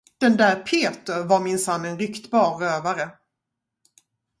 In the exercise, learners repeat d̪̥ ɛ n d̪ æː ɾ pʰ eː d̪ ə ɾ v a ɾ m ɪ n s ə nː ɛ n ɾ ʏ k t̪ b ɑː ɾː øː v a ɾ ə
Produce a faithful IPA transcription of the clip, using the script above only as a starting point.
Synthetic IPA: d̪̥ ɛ n d̪ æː ɾ pʰ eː t̪ ə ɾ v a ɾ m ɪ n s a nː ɛ n ɾ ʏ k t̪ b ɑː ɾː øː v a ɾ ə